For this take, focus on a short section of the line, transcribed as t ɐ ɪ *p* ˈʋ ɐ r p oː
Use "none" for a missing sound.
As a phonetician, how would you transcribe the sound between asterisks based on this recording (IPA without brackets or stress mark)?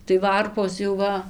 none